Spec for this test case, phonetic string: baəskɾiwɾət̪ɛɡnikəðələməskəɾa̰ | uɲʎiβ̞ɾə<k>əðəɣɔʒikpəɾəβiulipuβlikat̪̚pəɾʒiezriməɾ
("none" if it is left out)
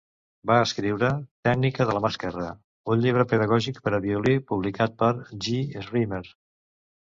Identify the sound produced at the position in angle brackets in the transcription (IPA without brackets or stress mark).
p